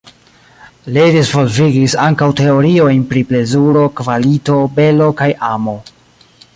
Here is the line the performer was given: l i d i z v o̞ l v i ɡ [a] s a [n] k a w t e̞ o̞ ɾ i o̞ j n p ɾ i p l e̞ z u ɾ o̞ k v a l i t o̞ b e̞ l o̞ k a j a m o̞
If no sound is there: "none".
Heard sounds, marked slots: i, ŋ

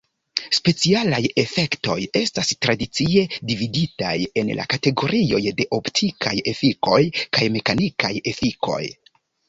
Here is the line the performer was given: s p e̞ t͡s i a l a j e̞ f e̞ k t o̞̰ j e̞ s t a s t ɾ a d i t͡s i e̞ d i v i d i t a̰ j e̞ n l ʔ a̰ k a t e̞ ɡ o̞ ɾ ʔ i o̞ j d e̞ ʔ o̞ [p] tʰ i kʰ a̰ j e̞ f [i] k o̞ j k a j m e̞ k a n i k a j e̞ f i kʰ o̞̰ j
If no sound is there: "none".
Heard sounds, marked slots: p, i

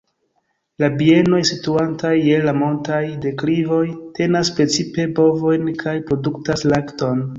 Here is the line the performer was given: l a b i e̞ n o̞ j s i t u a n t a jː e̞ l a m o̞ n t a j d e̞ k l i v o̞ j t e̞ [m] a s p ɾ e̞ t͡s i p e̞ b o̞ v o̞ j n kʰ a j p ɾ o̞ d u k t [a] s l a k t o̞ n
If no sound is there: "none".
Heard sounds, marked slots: n, a

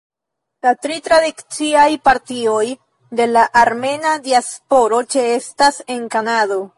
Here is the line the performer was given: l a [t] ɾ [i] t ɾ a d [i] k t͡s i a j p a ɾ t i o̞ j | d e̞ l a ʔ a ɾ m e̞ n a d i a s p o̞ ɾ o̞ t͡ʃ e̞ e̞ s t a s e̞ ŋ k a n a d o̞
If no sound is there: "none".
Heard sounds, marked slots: t, i, i

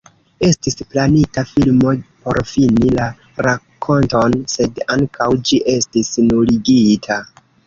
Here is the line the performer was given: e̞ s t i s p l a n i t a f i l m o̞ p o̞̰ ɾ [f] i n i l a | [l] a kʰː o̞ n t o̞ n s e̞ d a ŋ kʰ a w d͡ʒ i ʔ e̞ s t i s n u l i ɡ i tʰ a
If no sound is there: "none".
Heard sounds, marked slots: f, ɾ

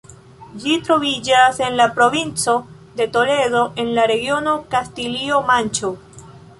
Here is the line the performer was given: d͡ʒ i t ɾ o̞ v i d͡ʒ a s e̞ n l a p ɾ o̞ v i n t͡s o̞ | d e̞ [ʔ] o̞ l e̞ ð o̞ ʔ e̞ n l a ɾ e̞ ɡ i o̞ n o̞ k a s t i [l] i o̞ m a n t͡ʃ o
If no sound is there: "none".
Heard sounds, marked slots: t, l

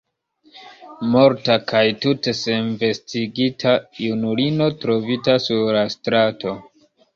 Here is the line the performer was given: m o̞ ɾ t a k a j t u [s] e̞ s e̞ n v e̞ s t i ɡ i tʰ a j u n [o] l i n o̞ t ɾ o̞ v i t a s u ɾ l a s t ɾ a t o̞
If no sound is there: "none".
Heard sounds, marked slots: t, u

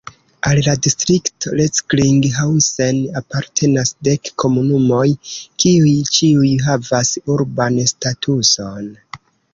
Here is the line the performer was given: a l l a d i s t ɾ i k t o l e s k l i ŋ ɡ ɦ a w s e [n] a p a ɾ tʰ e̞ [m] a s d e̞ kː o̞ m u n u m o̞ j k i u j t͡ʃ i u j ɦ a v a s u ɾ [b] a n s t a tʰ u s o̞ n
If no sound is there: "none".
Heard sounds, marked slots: n, n, b

